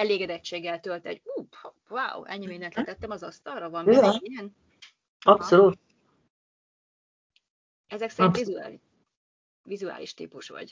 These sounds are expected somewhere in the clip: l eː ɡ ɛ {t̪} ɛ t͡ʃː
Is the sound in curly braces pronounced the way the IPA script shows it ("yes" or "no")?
no